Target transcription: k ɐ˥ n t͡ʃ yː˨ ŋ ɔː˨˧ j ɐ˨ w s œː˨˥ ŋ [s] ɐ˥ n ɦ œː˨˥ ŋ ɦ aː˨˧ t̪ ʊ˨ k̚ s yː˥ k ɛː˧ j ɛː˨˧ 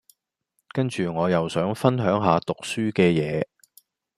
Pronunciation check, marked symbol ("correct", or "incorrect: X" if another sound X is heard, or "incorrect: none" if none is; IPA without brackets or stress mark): incorrect: f